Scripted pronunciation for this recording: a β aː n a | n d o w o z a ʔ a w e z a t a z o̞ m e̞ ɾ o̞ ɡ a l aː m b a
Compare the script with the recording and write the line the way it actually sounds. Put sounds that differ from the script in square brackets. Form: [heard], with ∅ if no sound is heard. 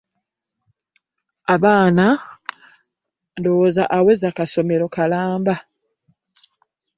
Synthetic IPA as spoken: a β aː n a | n d o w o z a ʔ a w e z a [k] a [s] o̞ m e̞ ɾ o̞ [k] a l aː m b a